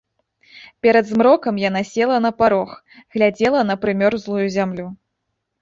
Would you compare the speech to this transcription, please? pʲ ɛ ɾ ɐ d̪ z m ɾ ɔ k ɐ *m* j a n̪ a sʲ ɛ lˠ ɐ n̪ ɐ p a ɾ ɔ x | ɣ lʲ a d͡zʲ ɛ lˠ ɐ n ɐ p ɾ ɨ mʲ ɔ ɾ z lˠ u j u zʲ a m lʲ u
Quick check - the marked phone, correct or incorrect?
correct